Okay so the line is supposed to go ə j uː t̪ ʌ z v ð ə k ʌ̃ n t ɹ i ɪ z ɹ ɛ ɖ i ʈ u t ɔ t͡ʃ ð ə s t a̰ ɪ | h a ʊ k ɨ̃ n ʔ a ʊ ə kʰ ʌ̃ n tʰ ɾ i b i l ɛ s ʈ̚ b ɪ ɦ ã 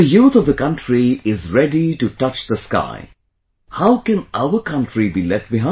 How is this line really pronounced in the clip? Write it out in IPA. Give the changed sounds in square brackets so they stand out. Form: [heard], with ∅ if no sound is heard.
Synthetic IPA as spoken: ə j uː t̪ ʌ [∅] v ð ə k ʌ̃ n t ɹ i ɪ z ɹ ɛ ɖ i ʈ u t [ʌ] t͡ʃ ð ə s [k] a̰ ɪ | h a ʊ k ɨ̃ n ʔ a ʊ ə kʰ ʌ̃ n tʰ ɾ i b i l ɛ [f] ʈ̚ b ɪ ɦ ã